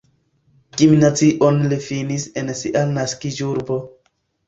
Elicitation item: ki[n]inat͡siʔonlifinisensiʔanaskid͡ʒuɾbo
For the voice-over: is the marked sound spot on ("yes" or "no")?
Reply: no